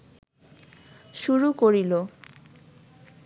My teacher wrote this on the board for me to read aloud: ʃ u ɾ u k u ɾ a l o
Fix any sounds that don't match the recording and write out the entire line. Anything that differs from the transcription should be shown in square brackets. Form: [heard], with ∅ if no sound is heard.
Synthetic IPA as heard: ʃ u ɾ u k [o] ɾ [i] l o